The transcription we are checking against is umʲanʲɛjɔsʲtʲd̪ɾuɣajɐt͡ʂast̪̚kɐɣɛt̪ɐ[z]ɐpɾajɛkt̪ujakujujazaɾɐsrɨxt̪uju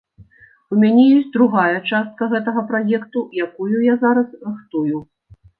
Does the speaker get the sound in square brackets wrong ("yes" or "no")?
yes